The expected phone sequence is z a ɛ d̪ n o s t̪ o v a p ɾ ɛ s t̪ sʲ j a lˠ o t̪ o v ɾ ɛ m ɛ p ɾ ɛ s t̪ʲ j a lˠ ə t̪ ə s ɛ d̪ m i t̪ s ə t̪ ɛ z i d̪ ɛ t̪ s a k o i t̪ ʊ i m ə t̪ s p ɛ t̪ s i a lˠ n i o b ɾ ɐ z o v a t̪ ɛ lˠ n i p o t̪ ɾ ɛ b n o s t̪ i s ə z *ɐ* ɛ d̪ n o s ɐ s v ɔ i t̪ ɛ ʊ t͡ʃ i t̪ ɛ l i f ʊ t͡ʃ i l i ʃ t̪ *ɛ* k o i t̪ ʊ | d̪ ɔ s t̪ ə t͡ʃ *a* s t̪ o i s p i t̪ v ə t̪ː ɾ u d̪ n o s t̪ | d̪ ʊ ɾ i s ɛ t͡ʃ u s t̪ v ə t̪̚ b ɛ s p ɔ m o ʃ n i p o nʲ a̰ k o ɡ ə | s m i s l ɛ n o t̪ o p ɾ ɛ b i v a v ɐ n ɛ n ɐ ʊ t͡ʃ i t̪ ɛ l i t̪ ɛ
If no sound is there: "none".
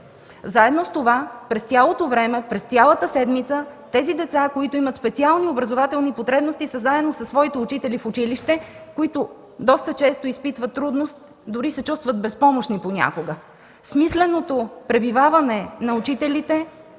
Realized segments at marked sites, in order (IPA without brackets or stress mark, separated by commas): a, ɛ, ɛ